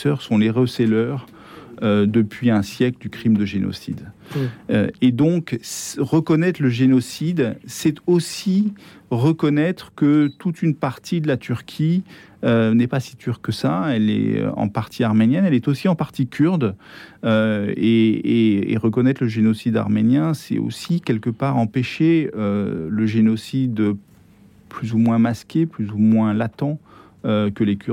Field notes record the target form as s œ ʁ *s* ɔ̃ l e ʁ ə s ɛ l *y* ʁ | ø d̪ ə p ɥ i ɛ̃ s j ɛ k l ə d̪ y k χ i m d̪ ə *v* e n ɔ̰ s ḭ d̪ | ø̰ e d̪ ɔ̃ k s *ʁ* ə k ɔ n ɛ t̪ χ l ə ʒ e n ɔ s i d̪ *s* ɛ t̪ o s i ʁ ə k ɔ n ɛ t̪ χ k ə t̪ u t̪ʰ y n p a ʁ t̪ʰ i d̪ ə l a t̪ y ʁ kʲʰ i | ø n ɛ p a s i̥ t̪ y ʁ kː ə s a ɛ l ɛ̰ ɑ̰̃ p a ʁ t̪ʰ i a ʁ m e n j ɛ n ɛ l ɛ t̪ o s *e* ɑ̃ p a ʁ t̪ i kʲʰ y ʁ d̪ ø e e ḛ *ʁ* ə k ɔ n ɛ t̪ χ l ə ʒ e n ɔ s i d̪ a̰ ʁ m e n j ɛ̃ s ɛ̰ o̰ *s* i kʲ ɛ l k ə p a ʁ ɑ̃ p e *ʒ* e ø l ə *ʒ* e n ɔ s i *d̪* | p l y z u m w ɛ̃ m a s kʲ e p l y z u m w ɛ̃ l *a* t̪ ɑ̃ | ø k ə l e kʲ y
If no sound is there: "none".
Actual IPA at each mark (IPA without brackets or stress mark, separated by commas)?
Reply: s, œ, ʒ, ʁ, s, i, ʁ, s, ʃ, ʒ, d̪, a